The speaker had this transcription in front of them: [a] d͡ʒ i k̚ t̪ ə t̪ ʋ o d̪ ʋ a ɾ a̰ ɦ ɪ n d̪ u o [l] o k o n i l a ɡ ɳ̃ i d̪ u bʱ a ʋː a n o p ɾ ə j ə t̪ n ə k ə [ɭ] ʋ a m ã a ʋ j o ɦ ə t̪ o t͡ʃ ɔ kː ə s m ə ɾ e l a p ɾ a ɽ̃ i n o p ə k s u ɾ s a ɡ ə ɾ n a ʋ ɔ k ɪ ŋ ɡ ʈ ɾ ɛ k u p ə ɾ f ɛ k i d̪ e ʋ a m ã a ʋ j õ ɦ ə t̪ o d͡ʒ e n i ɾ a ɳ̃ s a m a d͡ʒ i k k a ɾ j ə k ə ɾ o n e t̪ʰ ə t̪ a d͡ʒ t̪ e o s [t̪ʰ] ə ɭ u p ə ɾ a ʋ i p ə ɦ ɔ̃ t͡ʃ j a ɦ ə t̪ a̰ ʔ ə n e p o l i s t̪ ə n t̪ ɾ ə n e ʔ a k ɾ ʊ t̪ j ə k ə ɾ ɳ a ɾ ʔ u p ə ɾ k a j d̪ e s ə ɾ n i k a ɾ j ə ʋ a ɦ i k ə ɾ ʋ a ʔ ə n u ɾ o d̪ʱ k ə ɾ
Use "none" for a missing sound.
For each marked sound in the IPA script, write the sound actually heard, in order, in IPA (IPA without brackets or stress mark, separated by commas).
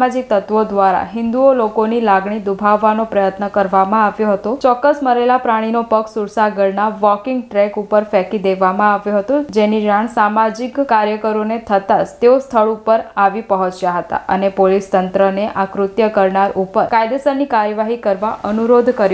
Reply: a, l, ɾ, t̪ʰ